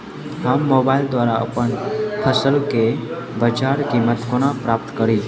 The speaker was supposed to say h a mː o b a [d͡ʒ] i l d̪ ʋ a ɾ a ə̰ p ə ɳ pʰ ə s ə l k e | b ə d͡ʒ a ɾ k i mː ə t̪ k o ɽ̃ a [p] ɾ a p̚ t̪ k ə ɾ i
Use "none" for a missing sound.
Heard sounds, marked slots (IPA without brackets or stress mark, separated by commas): none, p